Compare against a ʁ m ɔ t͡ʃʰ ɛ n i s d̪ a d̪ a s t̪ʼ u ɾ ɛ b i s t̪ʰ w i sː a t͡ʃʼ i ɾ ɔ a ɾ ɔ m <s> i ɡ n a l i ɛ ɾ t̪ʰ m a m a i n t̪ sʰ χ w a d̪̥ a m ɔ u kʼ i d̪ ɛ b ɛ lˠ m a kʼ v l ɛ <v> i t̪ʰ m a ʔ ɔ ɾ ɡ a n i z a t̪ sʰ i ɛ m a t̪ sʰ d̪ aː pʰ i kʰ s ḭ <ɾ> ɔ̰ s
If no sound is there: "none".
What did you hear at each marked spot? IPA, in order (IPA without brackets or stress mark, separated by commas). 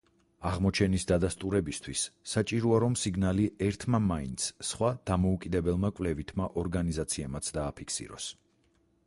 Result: s, v, ɾ